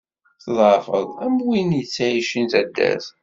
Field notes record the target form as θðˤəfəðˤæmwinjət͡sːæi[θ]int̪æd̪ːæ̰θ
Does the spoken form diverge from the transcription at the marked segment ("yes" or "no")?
yes